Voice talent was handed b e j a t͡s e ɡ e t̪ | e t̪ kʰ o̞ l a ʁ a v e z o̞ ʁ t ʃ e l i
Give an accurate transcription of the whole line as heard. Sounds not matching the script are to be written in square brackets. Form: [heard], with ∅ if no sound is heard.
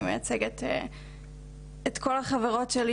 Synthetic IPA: [m] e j a t͡s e ɡ e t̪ | e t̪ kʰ o̞ l a [χ] a v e [ʁ] o̞ [∅] t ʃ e l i